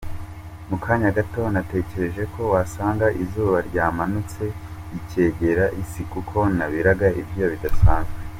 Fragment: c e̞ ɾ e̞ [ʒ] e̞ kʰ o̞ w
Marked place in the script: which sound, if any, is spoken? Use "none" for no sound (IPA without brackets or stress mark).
ʒ